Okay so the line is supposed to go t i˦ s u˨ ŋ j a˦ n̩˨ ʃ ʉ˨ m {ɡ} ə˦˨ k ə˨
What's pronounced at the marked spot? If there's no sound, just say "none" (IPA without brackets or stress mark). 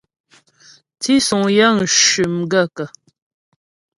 ɡ